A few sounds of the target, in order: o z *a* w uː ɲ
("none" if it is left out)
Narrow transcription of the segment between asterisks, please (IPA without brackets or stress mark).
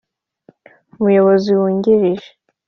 i